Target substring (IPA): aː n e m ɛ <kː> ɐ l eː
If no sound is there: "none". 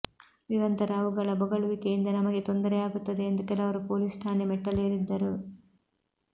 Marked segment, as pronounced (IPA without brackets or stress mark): ʈː